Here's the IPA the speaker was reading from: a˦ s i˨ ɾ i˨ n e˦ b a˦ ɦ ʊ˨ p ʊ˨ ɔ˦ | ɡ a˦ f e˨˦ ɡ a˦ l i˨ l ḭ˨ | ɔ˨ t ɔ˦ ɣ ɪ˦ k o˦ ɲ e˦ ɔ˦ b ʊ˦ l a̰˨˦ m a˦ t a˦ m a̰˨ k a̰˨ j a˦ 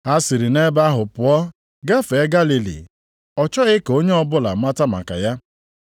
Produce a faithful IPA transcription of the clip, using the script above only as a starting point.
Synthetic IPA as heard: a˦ s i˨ ɾ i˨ n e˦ b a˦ ɦ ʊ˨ p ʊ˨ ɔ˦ | ɡ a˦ f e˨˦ ɡ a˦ l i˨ l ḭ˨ | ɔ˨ t͡ʃ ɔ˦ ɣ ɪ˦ k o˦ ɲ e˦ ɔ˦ b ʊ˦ l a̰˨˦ m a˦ t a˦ m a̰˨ k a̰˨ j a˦